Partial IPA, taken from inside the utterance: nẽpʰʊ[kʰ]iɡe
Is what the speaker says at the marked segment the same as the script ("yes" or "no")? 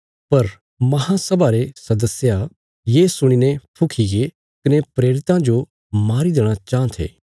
yes